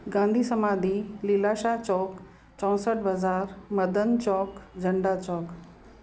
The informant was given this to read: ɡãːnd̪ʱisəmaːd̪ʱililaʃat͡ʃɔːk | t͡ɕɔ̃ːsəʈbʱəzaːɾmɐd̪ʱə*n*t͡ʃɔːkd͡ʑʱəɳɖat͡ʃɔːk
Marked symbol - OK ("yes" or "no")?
yes